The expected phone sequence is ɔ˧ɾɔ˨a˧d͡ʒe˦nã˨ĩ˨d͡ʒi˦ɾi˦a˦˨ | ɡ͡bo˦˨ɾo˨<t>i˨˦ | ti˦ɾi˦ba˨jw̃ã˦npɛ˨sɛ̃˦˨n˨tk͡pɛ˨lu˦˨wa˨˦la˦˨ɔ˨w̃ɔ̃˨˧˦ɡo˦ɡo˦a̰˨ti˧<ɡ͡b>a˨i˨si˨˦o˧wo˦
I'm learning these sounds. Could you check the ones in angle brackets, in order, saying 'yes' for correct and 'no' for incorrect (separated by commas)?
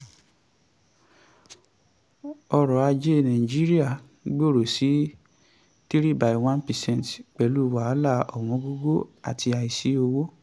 no, no